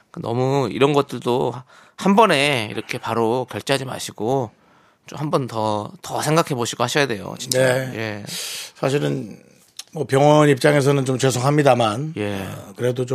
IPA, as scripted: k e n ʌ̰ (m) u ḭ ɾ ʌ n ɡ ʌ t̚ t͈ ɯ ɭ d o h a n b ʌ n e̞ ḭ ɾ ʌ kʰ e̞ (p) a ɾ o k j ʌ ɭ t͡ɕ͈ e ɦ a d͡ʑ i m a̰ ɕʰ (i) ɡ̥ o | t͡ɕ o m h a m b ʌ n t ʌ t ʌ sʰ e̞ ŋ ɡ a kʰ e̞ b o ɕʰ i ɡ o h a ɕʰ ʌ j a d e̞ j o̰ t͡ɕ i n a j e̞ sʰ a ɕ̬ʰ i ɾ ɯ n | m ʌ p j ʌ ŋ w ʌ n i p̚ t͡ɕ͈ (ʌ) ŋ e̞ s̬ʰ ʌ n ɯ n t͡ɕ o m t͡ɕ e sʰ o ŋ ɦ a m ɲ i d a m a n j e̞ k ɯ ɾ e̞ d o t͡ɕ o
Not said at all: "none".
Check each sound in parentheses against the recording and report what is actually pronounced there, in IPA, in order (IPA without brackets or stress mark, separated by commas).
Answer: m, p, i, a